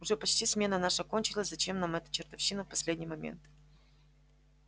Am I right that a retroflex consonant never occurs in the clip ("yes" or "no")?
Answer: no